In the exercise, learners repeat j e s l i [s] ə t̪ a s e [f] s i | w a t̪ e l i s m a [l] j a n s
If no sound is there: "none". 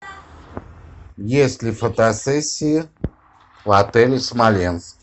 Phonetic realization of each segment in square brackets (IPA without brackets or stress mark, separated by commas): f, none, l